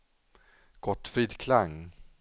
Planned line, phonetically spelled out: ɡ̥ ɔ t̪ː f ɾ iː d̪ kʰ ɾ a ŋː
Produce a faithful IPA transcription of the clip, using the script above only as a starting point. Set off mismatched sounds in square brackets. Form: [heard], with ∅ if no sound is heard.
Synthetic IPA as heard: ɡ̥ ɔ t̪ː f ɾ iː d̪ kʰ [l] a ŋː